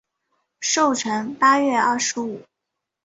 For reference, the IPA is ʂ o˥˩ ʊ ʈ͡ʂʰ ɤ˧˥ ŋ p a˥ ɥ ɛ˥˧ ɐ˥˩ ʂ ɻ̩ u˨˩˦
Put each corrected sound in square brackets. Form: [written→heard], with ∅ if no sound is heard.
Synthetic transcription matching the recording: ʂ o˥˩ ʊ ʈ͡ʂʰ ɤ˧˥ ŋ p a˥ ɥ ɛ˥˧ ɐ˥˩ ʂ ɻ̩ u˨˩˦